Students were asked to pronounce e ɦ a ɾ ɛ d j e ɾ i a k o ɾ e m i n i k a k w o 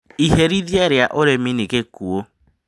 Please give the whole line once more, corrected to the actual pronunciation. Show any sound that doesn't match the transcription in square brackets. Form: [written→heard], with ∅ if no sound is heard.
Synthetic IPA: [e→i] ɦ [a→e] ɾ [ɛ→i] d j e ɾ [i→j] a [k→ʔ] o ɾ e m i n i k [a→e] k [w→u] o